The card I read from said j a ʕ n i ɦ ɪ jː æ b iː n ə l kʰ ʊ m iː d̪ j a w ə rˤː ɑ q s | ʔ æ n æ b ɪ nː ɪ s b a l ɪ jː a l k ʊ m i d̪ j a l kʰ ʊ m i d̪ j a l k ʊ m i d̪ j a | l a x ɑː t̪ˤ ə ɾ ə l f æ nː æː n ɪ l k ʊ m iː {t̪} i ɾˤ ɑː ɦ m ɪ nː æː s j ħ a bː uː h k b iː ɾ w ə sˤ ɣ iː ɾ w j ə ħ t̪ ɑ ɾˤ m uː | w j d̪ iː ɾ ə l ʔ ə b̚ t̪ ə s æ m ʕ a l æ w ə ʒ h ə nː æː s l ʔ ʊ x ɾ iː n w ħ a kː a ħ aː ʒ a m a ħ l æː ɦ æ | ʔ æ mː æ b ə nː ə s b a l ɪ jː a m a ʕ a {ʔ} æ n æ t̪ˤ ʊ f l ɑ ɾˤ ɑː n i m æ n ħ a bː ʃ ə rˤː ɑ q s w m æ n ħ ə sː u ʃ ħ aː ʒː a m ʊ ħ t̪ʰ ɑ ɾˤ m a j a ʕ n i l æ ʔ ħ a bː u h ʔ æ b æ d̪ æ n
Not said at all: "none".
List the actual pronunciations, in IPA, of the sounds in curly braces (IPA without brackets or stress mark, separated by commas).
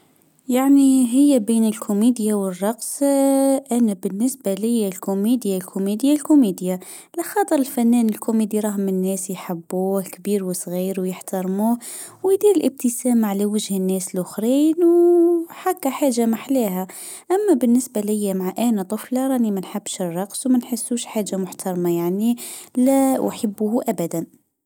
d̪, ʔ